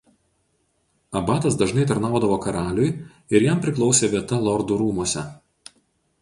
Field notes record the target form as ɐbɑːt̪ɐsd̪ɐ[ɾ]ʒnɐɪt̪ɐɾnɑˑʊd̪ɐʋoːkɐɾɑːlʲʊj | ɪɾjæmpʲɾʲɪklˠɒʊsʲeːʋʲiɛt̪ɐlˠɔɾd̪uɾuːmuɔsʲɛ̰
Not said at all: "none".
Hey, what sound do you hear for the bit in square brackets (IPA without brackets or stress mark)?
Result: none